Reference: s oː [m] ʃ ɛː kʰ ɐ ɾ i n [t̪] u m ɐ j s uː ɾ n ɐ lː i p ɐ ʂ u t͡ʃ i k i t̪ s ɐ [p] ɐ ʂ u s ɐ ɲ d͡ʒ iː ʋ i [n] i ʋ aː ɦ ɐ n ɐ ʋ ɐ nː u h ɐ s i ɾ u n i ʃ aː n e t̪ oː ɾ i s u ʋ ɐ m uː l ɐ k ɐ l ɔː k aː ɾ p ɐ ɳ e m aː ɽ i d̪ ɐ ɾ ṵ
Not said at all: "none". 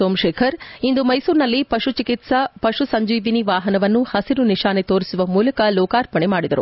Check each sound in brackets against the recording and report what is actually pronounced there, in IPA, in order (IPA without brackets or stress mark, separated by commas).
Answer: m, d̪, p, n